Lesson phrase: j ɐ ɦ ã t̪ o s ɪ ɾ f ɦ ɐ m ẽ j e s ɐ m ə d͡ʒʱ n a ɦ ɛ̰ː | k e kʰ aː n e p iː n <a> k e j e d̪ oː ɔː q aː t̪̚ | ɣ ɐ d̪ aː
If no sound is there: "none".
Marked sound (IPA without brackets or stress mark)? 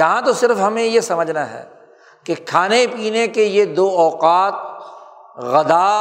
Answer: e